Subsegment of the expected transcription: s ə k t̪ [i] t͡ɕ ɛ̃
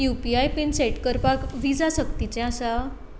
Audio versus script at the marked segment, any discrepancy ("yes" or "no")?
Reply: no